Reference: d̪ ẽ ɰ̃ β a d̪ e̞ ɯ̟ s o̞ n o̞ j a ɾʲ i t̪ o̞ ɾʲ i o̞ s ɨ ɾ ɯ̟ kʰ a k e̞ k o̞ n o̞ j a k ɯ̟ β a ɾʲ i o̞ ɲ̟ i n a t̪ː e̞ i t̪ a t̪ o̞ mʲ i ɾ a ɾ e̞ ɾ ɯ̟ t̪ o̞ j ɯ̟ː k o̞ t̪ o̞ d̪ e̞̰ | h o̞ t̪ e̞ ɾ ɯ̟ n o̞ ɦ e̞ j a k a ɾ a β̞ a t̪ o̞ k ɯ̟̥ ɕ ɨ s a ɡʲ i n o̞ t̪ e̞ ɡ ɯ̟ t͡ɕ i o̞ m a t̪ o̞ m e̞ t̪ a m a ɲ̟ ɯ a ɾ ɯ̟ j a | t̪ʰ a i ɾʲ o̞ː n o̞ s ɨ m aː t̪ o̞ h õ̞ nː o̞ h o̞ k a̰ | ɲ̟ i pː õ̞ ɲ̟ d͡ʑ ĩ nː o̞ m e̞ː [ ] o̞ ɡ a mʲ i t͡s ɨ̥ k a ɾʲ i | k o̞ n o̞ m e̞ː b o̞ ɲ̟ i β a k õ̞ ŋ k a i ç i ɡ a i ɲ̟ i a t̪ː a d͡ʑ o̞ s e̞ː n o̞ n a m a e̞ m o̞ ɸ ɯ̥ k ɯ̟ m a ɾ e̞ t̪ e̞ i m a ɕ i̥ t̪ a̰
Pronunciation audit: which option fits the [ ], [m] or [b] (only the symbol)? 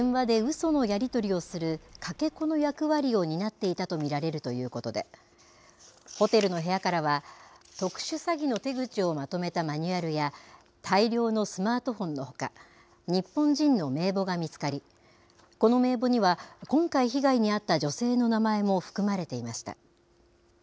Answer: b